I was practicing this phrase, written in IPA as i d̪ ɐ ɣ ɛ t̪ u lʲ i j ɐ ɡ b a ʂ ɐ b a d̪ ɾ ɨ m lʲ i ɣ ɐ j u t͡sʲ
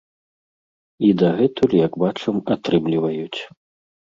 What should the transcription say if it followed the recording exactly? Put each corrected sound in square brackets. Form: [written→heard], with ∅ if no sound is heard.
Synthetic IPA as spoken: i d̪ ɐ ɣ ɛ t̪ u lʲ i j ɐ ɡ b a [ʂ→t͡ʂ] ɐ [b→m] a [d̪→t̪] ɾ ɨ m lʲ i [ɣ→v] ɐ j u t͡sʲ